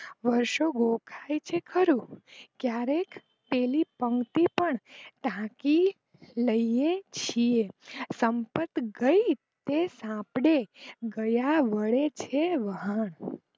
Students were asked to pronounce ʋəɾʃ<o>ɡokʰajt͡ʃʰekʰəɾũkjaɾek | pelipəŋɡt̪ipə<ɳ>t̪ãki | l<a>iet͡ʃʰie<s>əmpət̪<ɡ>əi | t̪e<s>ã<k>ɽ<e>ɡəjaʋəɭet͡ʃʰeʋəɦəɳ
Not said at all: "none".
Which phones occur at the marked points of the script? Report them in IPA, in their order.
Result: o, ɳ, ə, s, ɡ, s, p, e

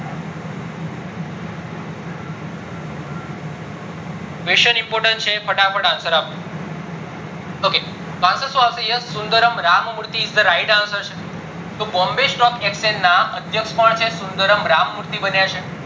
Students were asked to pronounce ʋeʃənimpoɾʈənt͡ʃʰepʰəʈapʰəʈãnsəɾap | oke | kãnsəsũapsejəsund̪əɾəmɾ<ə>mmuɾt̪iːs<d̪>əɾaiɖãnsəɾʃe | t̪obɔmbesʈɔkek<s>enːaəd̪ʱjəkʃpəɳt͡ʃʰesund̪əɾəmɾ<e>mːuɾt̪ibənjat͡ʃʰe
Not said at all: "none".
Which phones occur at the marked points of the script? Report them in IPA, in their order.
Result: a, d̪, s, a

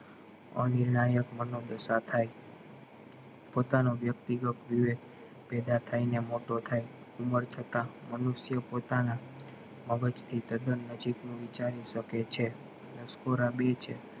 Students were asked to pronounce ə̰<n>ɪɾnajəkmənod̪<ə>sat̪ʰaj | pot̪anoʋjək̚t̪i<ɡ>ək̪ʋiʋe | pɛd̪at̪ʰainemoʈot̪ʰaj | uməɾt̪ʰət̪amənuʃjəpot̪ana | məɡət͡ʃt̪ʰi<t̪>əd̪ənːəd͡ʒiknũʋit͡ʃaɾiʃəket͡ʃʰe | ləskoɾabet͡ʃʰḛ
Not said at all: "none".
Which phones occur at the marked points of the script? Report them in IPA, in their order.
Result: n, ə, ɡ, t̪

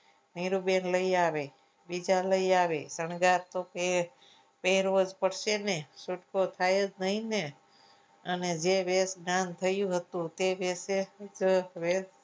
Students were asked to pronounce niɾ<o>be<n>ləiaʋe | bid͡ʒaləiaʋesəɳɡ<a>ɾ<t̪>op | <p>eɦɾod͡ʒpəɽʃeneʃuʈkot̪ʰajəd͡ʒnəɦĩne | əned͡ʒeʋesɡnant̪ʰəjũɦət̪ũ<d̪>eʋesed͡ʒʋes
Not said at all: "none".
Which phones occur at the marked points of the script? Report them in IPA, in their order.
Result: u, n, a, t̪, p, t̪

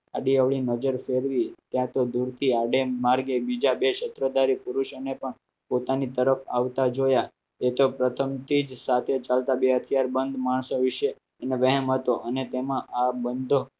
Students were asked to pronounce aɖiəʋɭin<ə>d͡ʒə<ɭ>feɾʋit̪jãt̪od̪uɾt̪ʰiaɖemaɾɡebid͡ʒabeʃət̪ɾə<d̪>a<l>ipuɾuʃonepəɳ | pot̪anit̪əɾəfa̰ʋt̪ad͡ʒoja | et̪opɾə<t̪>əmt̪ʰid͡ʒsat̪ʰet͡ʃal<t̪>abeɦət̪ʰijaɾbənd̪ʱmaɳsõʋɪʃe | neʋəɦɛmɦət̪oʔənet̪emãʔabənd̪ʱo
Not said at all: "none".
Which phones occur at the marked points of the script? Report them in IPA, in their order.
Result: ə, ɾ, d̪, ɾ, t̪ʰ, t̪

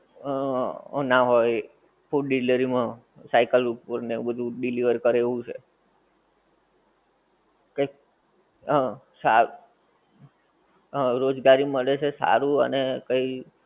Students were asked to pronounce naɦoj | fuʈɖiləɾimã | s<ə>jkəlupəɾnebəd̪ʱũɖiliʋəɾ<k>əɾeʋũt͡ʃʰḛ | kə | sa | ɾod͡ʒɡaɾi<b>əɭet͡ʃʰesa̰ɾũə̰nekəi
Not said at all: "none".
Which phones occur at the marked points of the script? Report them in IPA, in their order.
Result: a, k, m

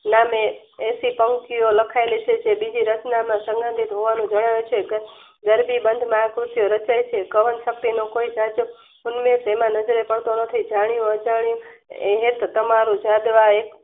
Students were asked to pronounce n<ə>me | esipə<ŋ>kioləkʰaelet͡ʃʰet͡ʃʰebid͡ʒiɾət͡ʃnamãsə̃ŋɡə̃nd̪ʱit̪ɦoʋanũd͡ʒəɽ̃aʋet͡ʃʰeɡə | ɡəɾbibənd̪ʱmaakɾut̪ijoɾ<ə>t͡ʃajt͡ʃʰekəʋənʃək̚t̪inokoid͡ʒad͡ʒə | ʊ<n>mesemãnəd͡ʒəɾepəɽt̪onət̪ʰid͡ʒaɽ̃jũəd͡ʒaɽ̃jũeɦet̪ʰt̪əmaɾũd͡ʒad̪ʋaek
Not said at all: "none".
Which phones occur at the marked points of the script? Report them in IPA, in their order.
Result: a, ŋ, ə, n

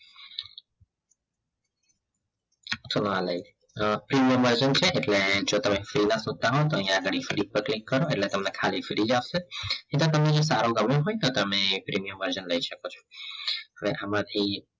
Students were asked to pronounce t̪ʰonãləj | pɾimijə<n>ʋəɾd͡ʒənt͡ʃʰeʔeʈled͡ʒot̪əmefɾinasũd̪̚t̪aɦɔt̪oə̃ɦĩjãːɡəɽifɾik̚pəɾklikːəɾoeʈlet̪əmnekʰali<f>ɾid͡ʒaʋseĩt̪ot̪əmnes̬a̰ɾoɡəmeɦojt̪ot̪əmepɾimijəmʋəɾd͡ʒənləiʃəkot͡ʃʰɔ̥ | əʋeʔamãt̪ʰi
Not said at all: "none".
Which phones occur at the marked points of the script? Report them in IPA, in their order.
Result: m, f

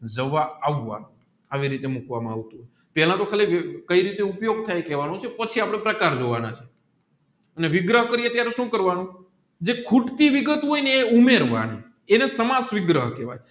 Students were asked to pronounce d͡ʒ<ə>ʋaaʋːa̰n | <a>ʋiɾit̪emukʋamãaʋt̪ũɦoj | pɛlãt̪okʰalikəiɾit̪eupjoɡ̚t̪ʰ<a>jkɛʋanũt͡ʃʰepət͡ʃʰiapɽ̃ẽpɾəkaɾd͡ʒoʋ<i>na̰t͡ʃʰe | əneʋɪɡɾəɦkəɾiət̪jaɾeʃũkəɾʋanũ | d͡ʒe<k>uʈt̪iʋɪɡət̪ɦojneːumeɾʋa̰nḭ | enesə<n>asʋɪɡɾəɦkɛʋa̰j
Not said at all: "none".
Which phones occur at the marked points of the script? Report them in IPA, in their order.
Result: ə, a, a, a, kʰ, m

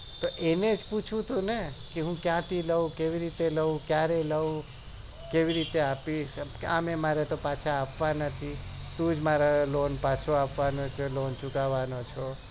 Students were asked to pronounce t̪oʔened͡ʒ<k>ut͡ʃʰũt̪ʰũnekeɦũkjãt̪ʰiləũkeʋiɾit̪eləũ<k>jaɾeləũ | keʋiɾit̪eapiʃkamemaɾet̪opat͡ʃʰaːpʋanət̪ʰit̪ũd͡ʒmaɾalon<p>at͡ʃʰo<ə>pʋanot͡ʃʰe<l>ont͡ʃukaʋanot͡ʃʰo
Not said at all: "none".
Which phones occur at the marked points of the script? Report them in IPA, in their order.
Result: p, k, p, a, l

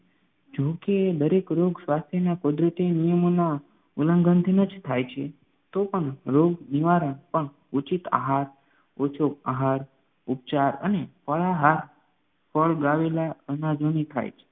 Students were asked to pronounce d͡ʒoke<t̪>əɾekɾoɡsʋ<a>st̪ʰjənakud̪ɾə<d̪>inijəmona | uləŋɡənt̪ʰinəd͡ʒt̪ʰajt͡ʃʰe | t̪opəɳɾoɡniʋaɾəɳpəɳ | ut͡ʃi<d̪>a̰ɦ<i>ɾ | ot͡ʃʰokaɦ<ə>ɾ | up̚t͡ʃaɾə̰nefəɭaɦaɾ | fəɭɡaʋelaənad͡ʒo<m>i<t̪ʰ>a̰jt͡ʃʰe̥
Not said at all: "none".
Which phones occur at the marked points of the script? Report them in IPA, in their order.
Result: d̪, a, t̪, t̪, a, a, n, t̪ʰ

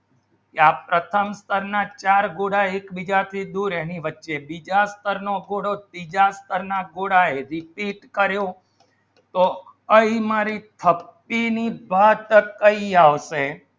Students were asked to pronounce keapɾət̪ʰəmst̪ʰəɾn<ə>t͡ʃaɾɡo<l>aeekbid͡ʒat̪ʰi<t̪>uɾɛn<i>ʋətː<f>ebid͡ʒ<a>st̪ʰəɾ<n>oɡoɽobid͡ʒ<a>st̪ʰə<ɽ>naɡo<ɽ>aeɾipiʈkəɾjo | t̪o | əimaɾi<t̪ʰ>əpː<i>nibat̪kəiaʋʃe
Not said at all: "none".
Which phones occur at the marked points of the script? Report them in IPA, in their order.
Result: a, ɽ, d̪, i, ʃ, a, n, a, ɾ, ɽ, t̪ʰ, i

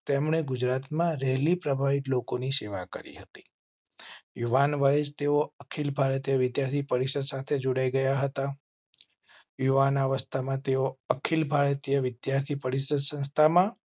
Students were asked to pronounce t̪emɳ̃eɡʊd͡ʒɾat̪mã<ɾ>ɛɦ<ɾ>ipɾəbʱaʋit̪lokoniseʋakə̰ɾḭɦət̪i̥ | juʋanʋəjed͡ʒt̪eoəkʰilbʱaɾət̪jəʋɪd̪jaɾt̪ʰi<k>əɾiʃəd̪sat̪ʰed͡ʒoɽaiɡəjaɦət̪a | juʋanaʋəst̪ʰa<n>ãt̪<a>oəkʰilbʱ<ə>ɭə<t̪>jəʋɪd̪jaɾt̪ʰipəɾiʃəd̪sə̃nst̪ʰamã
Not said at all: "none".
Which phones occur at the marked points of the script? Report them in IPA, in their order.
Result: ɾ, l, p, m, e, a, t̪

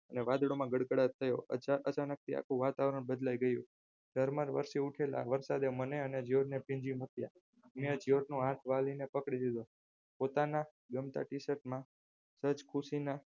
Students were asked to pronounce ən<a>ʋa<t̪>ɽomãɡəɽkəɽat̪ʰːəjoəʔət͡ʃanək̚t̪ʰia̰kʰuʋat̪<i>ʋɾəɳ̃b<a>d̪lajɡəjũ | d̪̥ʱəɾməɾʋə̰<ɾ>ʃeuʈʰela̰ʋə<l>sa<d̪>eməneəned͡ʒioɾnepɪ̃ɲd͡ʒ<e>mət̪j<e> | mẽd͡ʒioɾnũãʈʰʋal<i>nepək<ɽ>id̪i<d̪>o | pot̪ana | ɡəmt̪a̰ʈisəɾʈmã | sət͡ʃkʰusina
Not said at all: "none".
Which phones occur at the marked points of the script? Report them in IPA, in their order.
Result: e, d̪, a, ə, ɾ, ɾ, d̪, i, a, i, ɽ, d̪

